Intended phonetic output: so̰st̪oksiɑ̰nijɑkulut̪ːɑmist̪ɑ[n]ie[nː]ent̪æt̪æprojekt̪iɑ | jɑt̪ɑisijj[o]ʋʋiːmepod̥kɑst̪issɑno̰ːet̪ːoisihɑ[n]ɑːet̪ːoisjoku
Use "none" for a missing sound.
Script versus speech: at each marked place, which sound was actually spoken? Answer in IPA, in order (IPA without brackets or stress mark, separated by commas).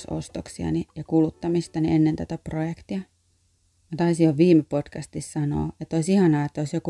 n, nː, o, n